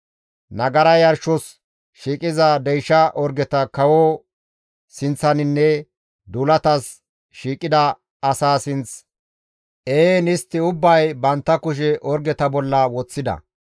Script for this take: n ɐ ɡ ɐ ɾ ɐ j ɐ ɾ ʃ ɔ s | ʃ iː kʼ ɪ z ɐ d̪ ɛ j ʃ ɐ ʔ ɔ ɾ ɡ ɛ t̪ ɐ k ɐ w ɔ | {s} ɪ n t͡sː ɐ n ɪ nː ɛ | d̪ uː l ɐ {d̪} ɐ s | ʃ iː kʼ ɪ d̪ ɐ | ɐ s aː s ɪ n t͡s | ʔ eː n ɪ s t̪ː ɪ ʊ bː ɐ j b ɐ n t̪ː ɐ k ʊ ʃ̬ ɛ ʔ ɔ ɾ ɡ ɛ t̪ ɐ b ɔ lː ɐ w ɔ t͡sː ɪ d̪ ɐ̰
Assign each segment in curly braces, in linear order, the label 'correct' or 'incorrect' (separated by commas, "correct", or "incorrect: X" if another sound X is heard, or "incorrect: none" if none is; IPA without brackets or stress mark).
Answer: correct, incorrect: t̪